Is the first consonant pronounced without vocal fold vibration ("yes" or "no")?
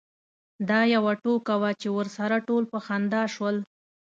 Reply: no